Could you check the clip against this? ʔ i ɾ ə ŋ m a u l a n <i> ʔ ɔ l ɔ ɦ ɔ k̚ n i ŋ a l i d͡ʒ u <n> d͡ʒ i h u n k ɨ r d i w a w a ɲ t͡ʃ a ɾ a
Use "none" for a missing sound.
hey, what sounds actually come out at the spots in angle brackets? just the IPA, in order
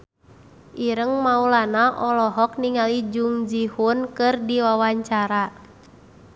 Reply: a, ŋ

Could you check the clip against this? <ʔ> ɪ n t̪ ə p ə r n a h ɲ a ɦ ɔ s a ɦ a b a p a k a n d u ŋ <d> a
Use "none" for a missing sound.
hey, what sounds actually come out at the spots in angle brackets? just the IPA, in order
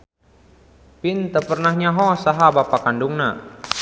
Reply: p, n

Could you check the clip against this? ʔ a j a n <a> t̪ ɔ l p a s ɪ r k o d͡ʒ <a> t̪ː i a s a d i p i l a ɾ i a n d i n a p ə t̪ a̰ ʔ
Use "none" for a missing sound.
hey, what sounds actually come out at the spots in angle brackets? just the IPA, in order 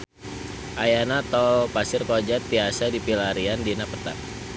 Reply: a, a

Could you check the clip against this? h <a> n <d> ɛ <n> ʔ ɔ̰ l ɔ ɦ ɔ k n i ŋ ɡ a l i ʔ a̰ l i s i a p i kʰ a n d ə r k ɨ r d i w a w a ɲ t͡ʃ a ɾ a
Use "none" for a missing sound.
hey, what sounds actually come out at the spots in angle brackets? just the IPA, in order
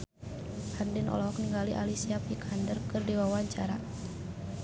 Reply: a, d, n

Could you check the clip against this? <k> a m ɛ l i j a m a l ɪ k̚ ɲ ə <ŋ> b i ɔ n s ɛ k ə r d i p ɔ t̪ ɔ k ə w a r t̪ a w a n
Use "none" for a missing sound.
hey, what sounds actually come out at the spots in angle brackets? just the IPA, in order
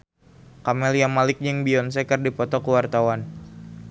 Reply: k, ŋ

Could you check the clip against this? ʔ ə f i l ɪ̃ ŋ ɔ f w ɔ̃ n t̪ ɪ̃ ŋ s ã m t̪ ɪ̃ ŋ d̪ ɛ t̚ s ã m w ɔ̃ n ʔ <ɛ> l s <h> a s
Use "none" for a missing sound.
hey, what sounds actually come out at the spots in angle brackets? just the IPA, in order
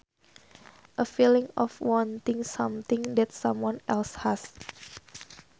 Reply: ɛ, h

